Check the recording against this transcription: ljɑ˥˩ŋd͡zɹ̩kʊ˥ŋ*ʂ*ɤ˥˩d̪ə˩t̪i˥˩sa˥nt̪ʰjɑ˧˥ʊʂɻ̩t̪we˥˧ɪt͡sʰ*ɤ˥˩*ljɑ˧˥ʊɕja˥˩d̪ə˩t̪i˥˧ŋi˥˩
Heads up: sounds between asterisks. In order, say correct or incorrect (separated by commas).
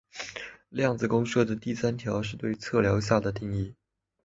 correct, correct